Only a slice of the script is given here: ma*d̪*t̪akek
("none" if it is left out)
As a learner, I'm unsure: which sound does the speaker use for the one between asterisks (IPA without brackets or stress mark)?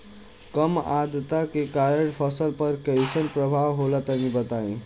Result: d̪